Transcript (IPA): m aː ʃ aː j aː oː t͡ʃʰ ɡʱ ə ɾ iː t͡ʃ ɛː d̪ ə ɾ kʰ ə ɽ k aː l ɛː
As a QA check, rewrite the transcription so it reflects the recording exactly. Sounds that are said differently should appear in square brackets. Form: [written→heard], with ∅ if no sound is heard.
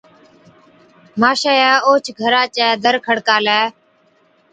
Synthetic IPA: m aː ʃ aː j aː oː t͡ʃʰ ɡʱ ə ɾ [iː→aː] t͡ʃ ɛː d̪ ə ɾ kʰ ə ɽ k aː l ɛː